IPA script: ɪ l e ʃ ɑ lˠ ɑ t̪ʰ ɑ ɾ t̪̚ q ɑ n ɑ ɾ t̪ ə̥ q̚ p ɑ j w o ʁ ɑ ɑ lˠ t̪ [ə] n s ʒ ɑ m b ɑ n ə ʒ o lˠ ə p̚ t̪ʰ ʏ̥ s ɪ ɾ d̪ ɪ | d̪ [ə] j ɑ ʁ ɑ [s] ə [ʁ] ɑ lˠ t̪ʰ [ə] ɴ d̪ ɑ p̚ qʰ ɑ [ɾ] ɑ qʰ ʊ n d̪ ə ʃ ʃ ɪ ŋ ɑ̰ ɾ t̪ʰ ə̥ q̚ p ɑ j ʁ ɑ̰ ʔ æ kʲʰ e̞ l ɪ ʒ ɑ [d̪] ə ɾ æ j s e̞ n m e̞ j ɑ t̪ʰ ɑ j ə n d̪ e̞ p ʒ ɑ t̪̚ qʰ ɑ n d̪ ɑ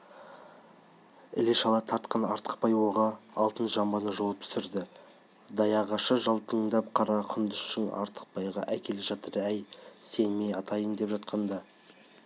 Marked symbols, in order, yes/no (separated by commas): yes, no, no, no, yes, yes, no